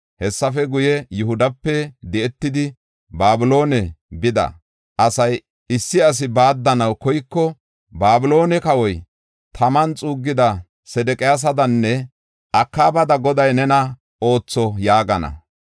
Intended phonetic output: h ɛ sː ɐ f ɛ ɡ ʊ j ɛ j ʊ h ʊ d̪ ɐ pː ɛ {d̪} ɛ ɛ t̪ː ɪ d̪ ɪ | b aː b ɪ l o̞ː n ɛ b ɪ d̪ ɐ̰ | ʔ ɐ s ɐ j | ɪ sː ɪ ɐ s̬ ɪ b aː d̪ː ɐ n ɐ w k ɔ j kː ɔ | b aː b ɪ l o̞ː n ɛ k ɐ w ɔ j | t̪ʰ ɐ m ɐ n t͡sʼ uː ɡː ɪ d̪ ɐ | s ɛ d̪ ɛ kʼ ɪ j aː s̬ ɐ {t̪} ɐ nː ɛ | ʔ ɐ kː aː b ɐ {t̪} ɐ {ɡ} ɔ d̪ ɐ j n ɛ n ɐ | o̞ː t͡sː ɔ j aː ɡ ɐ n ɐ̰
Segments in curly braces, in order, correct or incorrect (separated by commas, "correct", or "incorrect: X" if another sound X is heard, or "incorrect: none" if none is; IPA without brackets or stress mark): correct, incorrect: d̪, incorrect: d̪, correct